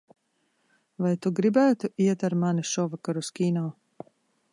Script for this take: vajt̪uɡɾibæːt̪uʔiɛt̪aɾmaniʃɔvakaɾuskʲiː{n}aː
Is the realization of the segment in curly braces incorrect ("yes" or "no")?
no